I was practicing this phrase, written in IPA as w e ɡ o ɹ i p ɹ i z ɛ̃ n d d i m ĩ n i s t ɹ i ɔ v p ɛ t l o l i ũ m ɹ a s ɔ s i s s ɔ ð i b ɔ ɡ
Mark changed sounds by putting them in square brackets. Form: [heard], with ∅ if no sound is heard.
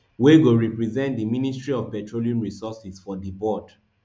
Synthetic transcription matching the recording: w e ɡ o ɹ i p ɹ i z ɛ̃ n [t] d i m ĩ n i s t ɹ i ɔ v p ɛ t [ɹ] o l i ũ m ɹ [i] s ɔ s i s [f] ɔ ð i b ɔ [d]